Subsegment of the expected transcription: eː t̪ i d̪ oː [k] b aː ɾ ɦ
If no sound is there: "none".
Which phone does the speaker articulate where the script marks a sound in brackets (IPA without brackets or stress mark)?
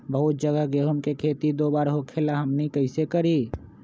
none